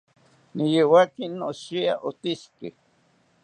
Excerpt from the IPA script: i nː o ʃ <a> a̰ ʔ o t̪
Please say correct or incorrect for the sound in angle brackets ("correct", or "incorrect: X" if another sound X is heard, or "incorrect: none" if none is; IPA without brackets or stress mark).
incorrect: i